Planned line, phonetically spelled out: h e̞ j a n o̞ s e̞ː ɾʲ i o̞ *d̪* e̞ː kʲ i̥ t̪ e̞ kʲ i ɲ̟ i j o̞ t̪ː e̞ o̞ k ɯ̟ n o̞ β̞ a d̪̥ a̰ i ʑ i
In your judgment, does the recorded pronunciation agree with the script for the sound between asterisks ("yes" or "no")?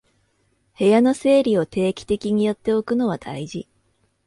no